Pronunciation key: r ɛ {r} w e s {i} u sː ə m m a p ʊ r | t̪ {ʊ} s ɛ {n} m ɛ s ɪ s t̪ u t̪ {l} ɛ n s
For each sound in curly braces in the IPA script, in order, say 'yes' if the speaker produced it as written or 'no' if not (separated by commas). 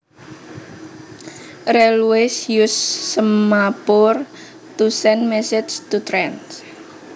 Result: no, no, no, yes, no